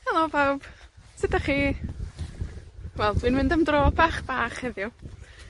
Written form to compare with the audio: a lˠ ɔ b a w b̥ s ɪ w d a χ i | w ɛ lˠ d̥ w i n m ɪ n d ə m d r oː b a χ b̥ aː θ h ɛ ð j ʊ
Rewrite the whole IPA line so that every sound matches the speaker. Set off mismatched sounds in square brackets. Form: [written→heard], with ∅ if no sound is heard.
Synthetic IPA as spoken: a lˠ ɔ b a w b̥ s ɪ [w→∅] d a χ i | w ɛ lˠ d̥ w i n m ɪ n d ə m d r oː b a χ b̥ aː [θ→χ] h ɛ ð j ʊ